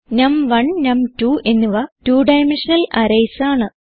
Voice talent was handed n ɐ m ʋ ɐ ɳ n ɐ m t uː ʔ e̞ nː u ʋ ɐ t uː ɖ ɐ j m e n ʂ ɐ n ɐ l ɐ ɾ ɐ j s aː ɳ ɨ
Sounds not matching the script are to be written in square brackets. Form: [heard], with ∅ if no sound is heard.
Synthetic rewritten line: n ɐ m ʋ ɐ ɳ n ɐ m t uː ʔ e̞ nː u ʋ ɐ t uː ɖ ɐ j m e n ʂ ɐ n ɐ l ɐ ɾ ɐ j s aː ɳ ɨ